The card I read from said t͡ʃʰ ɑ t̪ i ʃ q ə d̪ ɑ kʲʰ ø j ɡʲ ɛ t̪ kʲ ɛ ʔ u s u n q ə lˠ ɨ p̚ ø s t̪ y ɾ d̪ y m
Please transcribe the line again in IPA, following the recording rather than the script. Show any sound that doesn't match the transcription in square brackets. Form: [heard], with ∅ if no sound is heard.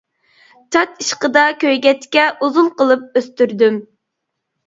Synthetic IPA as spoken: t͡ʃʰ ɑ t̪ i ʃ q ə d̪ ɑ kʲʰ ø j ɡʲ ɛ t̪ kʲ ɛ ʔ u [z] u n q ə lˠ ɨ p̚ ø s t̪ y ɾ d̪ y m